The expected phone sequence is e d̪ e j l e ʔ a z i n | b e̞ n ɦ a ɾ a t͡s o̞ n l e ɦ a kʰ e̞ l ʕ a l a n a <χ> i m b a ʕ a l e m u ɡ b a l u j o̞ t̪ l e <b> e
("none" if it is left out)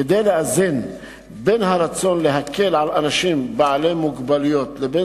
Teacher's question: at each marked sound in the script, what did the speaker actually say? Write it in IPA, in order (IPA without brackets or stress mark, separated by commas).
ʃ, b